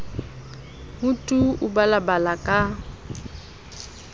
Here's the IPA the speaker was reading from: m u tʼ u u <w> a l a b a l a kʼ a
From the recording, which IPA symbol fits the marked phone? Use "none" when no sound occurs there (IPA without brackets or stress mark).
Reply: b